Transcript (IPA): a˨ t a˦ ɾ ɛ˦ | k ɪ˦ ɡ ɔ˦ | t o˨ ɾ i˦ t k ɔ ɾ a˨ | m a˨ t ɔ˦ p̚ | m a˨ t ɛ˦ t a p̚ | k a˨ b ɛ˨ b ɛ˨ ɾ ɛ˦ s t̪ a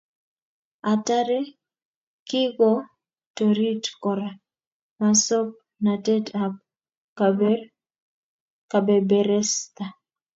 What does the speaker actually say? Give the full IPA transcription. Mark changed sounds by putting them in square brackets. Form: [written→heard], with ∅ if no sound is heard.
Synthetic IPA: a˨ t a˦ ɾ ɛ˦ | k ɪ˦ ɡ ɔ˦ | t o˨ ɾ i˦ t k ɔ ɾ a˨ | m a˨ [t→s] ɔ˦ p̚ | [m→n] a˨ t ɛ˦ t a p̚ | k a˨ b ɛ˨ b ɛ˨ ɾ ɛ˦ s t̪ a

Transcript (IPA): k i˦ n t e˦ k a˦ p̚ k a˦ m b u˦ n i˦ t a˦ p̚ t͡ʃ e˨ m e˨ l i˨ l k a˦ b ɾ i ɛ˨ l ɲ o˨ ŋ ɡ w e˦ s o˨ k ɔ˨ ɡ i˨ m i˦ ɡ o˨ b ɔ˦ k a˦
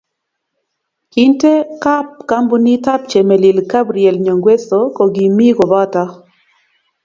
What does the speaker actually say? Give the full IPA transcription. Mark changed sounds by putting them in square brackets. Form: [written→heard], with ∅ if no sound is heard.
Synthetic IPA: k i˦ n t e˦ k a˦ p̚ k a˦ m b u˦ n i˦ t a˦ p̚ t͡ʃ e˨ m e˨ l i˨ l k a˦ b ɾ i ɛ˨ l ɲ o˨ ŋ ɡ w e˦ s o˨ k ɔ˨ ɡ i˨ m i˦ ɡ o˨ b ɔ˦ [k→t] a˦

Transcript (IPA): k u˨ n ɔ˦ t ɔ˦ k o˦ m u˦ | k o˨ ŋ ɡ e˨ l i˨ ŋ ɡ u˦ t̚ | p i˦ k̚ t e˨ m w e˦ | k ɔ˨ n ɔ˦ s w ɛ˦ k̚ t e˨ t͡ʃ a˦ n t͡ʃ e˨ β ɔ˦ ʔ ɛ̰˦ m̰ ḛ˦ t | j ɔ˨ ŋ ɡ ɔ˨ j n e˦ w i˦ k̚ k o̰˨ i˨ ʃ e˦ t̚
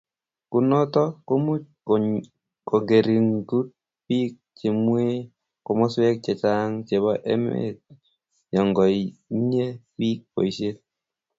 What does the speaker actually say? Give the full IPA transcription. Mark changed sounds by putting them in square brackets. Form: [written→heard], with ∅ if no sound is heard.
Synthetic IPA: k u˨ n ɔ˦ t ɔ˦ k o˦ m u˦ | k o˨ ŋ ɡ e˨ [l→ɾ] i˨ ŋ ɡ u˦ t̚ | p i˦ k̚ [t→t͡ʃ] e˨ m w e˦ | k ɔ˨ [n→m] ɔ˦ s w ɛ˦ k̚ [t→t͡ʃ] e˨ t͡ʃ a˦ [n→ŋ] t͡ʃ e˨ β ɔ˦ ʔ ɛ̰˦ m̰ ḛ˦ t | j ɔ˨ ŋ ɡ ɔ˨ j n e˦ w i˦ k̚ [k→p] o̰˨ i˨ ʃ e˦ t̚

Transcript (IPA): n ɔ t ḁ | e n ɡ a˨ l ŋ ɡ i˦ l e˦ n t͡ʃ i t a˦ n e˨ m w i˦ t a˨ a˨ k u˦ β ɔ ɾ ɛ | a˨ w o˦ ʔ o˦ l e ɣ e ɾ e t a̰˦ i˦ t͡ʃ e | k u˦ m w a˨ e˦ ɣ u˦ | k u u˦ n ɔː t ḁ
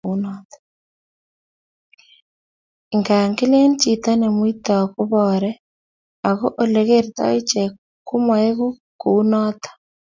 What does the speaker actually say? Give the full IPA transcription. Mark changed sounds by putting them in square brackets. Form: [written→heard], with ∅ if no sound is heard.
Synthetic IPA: n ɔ t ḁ | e [n→ŋ] ɡ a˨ [l→∅] ŋ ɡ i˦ l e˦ n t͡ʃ i t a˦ n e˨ m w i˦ t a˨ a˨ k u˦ β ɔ ɾ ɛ | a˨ [w→ɣ] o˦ ʔ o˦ l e ɣ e ɾ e t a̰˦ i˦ t͡ʃ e | k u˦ m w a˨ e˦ ɣ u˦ | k u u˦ n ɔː t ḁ

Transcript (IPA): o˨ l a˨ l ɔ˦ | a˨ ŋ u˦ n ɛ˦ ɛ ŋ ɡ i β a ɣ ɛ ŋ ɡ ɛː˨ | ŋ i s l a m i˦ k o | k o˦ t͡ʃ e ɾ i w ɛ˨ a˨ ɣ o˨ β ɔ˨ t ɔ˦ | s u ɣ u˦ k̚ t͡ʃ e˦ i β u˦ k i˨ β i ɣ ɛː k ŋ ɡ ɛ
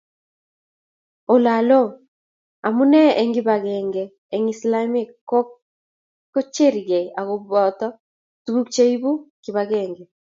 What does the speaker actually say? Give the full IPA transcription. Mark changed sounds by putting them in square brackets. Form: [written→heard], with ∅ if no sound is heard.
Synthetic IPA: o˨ l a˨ l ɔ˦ | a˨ [ŋ→m] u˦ n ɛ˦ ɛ ŋ ɡ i β a ɣ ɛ ŋ ɡ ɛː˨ | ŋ i s l a m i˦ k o | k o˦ t͡ʃ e ɾ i [w→ɣ] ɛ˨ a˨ ɣ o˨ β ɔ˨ t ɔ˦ | [s→t] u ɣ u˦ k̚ t͡ʃ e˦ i β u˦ k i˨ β [i→a] ɣ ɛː [k→∅] ŋ ɡ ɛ

